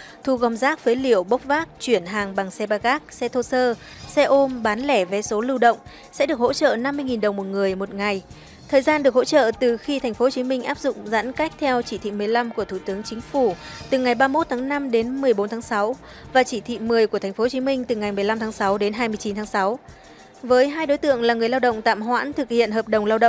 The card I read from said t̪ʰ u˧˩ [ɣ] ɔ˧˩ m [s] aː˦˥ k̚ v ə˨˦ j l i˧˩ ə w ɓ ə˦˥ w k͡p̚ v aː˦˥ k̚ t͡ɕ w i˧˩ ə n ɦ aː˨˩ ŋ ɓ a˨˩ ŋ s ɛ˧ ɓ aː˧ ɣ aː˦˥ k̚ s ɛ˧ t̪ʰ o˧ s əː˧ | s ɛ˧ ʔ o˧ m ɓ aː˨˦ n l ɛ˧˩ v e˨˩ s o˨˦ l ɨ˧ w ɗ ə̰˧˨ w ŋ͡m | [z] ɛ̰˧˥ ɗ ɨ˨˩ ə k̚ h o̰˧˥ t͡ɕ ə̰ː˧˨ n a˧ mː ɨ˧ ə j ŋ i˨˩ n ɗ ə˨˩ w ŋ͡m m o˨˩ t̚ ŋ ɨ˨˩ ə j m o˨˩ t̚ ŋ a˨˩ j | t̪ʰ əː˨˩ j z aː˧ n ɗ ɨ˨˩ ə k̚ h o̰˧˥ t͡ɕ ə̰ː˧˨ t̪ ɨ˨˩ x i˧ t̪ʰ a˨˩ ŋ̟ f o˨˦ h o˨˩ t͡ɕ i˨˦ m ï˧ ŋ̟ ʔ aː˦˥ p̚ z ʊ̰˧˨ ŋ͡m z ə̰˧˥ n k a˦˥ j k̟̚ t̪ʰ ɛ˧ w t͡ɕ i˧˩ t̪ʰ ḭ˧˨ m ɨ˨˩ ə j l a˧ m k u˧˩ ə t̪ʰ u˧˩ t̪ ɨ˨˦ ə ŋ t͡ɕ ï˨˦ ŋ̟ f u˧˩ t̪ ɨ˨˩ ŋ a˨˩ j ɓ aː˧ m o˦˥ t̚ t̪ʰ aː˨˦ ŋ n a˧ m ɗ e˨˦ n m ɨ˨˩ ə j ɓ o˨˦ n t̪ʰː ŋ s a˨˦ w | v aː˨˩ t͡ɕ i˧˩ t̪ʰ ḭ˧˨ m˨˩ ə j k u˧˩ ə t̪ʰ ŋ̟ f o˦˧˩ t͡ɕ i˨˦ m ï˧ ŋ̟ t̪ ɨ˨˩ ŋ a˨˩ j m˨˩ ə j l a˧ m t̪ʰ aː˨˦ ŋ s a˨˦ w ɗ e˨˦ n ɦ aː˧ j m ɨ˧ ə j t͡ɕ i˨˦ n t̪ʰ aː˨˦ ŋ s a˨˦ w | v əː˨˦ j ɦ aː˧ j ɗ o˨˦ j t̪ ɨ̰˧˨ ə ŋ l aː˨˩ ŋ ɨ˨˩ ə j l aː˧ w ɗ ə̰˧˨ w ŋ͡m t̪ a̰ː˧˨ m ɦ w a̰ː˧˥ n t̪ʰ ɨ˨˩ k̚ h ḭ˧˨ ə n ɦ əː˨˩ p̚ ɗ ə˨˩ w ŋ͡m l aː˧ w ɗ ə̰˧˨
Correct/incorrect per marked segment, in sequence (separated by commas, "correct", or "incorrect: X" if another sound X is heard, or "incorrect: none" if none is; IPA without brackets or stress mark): correct, incorrect: z, incorrect: s